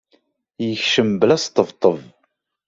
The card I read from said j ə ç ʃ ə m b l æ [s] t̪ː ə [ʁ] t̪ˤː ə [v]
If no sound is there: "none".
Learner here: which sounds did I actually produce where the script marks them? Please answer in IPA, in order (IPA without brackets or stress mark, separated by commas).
s, v, v